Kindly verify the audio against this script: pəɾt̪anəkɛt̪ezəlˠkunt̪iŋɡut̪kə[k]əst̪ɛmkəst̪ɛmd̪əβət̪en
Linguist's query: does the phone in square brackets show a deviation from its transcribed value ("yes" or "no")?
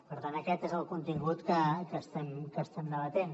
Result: no